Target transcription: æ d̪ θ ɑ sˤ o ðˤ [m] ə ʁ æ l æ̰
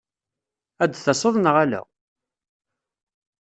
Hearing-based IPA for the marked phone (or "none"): n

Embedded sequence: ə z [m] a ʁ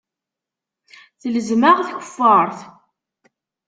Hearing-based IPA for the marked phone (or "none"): m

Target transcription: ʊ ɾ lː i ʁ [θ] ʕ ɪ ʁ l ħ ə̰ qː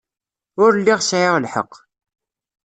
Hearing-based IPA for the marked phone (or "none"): s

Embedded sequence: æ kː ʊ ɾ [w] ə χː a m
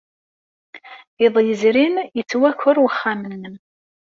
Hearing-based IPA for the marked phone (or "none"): w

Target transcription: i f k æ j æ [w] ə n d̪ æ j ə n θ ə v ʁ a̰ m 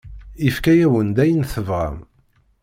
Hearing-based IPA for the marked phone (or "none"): w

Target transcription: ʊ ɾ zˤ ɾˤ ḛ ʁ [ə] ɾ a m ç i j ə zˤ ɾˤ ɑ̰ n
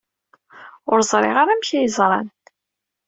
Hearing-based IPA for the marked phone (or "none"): a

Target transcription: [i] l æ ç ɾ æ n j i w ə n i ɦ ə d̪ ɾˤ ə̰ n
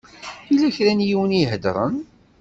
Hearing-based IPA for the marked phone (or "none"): i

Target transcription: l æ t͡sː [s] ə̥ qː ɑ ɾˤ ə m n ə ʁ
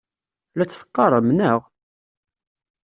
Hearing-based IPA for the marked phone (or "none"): θ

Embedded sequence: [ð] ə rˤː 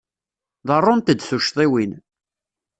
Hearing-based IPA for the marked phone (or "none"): ð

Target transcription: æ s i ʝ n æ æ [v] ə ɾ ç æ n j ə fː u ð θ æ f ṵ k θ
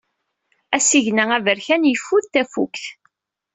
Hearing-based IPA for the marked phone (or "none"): v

